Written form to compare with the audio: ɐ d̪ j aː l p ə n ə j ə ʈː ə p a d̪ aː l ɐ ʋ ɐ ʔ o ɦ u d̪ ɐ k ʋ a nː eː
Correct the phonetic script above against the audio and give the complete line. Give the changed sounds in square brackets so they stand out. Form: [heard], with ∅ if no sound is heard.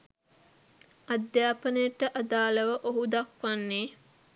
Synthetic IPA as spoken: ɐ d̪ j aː [∅] p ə n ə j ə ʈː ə [ʔ] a d̪ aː l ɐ ʋ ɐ ʔ o ɦ u d̪ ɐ k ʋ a nː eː